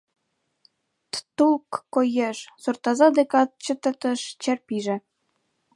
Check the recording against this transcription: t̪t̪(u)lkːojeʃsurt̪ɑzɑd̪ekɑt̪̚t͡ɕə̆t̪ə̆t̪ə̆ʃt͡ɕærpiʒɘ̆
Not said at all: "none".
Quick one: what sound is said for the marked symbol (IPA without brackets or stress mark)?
u